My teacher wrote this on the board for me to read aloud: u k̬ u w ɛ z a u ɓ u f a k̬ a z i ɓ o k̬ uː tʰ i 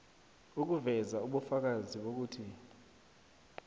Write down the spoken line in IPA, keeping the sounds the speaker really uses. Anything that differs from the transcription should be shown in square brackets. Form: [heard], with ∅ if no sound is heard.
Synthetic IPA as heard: u k̬ u [v] ɛ z a u ɓ u f a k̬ a z i ɓ o k̬ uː tʰ i